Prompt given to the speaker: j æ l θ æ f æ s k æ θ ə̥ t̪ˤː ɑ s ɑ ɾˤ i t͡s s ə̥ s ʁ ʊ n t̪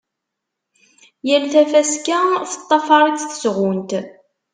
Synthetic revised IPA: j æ l θ æ f æ s k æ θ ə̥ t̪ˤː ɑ f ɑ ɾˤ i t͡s θ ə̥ s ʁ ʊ n t̪